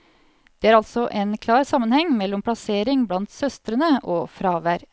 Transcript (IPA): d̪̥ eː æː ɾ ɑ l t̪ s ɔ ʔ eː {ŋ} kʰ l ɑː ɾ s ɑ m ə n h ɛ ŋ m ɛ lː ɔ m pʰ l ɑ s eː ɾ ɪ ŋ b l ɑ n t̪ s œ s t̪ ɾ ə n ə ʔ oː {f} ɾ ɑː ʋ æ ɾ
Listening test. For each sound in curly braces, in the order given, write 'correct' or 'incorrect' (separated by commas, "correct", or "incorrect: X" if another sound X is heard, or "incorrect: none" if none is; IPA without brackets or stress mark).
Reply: incorrect: n, correct